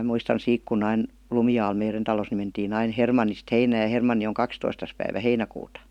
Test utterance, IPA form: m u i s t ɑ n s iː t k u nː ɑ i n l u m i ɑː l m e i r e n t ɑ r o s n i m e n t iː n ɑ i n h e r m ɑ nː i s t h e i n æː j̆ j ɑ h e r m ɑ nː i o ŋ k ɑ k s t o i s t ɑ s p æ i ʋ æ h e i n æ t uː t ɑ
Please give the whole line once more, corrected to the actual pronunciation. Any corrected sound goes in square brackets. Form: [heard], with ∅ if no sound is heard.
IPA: m u i s t ɑ n s iː [k] k u nː ɑ i n l u m i ɑː l m e i r e n t ɑ [l] o s n i m e n t iː n ɑ i n h e r m ɑ nː i s t h e i n æː j̆ j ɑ h e r m ɑ nː i o ŋ k ɑ k s t o i s t ɑ s p æ i ʋ æ h e i n æ [k] uː t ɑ